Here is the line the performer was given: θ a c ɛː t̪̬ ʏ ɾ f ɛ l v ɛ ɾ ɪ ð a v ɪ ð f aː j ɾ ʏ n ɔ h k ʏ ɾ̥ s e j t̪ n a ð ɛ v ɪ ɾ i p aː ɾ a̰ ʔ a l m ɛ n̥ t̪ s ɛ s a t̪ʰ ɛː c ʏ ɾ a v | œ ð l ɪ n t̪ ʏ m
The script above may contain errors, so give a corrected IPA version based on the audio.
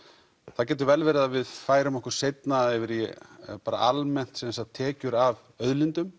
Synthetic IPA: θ a c ɛː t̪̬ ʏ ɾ v ɛ l v ɛ ɾ ɪ ð a v ɪ ð f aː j ɾ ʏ m ɔ h k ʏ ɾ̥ s e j t̪ n a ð ɛ v ɪ ɾ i p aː ɾ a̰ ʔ a l m ɛ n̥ t̪ s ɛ s a t̪ʰ ɛː c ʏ ɾ a v | œ ð l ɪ n t̪ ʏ m